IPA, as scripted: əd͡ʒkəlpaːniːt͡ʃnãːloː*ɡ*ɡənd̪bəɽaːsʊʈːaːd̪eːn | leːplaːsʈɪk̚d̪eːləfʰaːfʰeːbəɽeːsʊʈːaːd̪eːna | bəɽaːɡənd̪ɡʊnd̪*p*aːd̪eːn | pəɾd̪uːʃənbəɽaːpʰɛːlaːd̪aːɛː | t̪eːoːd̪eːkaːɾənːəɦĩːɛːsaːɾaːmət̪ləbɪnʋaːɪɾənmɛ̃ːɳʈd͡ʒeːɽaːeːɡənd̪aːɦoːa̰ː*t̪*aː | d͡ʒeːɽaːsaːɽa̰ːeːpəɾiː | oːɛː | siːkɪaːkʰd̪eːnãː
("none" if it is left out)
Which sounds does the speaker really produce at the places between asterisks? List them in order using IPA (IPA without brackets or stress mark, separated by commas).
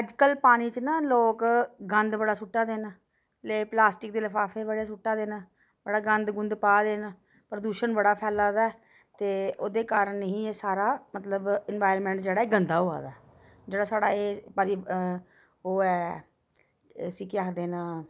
k, p, d̪